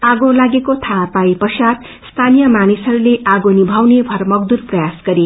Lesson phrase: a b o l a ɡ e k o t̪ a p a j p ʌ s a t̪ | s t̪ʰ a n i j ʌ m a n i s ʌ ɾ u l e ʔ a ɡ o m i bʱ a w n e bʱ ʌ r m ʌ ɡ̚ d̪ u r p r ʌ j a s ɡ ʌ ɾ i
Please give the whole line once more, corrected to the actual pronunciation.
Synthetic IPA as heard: a ɡ o l a ɡ e k o t̪ʰ a p a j p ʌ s a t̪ | s t̪ʰ a n i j ʌ m a n i s ʌ ɾ u l e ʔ a ɡ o n i bʱ a w n e bʱ ʌ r m ʌ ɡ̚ d̪ u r p r ʌ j a s ɡ ʌ ɾ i